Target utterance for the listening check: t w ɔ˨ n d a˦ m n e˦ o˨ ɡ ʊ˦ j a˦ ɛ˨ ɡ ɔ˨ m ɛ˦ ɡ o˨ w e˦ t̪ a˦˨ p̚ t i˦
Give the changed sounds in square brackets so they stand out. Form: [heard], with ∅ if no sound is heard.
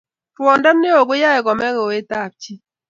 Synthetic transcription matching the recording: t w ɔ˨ n d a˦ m n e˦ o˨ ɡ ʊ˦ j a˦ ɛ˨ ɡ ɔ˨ m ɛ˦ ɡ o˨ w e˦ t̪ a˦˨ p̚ [t͡ʃ] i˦